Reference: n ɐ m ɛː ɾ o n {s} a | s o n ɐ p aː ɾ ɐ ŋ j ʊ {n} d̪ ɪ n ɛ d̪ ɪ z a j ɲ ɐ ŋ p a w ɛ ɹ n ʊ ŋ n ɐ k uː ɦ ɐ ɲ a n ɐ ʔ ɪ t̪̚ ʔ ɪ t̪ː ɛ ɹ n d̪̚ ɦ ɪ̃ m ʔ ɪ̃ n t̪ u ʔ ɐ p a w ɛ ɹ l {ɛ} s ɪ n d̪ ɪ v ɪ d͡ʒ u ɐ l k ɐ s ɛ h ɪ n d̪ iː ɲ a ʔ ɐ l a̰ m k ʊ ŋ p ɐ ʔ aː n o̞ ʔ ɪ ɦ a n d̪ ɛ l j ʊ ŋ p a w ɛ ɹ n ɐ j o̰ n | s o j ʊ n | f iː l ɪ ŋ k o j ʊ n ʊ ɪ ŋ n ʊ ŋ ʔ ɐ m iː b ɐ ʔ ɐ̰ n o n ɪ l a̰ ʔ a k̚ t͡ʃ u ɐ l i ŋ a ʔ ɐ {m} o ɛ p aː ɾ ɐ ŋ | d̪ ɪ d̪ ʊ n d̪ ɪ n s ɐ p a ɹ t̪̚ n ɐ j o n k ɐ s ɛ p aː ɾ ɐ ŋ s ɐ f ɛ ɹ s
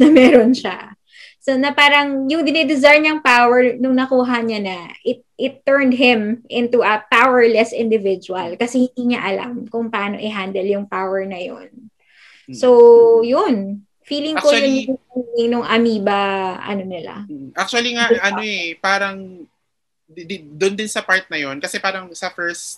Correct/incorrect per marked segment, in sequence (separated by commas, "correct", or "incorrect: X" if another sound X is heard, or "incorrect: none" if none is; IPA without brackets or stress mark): incorrect: ʃ, incorrect: ŋ, correct, incorrect: n